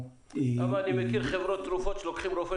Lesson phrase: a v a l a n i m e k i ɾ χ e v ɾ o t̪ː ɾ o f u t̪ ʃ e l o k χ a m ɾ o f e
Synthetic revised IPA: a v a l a n i m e k i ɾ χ e v ɾ o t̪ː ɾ u f o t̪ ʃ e l o k χ i m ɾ o f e